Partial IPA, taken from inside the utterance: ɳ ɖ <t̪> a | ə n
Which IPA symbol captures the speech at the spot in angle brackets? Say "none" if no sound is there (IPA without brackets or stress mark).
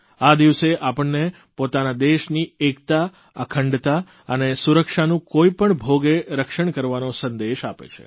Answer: t̪